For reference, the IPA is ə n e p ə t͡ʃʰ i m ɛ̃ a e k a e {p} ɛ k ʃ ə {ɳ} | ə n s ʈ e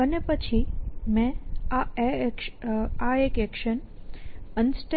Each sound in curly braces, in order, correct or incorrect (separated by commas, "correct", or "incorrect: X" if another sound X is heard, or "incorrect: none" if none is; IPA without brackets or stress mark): incorrect: k, incorrect: n